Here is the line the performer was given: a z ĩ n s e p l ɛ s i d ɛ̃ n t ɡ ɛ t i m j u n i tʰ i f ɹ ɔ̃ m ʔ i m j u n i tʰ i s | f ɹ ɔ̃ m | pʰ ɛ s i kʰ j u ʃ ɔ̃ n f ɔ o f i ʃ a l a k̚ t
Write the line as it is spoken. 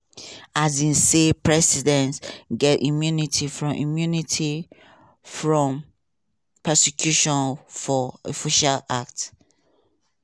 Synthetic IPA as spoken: a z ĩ n s e p ɹ ɛ s i d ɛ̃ n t ɡ ɛ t i m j u n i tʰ i f ɹ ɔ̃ m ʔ i m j u n i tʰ i | f ɹ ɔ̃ m | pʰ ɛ s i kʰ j u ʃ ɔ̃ n f ɔ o f i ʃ a l a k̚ t